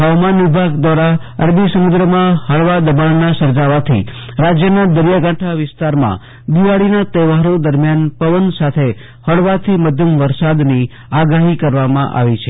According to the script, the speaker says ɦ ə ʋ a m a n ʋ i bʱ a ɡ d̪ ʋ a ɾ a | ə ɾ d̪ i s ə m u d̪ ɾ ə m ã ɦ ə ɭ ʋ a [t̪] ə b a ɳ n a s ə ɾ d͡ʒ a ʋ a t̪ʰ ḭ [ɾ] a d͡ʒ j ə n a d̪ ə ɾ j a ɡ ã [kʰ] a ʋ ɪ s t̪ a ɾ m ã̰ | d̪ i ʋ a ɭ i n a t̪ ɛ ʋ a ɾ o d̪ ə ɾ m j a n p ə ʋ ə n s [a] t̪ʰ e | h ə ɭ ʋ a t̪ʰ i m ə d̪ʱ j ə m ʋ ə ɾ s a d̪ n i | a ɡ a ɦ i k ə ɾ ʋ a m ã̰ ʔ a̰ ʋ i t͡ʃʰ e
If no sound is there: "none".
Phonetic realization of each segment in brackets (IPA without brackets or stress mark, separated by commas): d̪, ɾ, ʈʰ, a